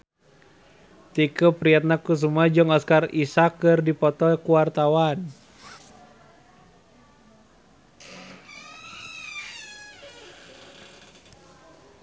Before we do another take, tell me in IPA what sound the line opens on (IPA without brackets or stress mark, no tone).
t̪